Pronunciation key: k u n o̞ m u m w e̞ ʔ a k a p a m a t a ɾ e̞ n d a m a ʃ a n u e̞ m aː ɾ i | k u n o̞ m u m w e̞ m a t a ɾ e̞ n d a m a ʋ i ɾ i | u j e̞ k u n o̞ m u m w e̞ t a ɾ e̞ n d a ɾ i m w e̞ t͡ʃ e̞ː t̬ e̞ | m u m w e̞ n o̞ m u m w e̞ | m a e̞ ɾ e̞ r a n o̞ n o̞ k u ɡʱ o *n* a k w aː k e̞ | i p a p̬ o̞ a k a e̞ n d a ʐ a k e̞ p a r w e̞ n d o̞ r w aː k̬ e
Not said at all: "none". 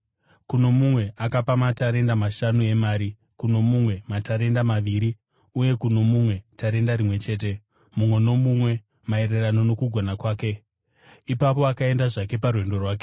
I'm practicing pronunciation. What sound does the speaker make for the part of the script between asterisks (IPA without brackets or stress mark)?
n